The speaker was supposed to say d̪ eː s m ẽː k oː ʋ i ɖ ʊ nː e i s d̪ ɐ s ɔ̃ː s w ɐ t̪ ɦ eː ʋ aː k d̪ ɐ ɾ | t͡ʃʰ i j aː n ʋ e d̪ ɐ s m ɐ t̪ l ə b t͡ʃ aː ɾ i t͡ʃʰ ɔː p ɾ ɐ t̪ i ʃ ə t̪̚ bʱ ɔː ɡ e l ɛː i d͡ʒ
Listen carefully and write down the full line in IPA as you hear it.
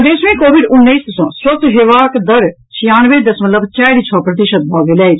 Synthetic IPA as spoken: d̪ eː s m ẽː k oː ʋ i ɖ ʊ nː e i s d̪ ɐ s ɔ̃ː s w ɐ t̪ ɦ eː ʋ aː k d̪ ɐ ɾ | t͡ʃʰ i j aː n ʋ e d̪ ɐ s m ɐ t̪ l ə b t͡ʃ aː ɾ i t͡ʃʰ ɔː p ɾ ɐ t̪ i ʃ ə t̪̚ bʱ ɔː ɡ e l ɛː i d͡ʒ